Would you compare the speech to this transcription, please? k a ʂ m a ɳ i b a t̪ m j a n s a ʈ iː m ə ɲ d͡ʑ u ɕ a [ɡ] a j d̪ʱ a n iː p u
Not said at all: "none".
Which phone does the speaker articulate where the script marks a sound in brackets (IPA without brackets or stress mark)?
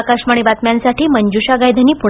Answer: ɡ